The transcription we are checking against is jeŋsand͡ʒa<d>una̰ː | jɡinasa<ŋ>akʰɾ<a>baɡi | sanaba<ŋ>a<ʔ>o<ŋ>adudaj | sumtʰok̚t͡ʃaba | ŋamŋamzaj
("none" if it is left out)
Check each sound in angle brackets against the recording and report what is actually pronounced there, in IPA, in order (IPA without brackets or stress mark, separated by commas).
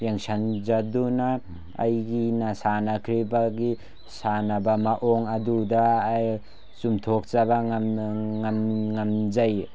d, n, i, m, ʔ, ŋ